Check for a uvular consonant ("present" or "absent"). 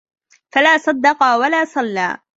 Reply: present